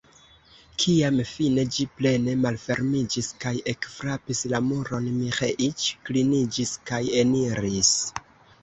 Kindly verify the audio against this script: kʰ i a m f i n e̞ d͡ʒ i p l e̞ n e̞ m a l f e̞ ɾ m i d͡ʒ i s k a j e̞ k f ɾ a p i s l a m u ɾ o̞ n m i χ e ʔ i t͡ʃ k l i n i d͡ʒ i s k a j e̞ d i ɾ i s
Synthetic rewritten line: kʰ i a m f i n e̞ d͡ʒ i p l e̞ n e̞ m a l f e̞ ɾ m i d͡ʒ i s k a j e̞ k f ɾ a p i s l a m u ɾ o̞ n m i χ e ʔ i t͡ʃ k l i n i d͡ʒ i s k a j e̞ n i ɾ i s